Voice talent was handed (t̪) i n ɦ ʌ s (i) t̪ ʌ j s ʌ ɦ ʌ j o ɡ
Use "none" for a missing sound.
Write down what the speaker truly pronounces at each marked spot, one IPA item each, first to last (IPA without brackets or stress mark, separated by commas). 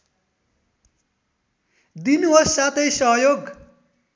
d̪, a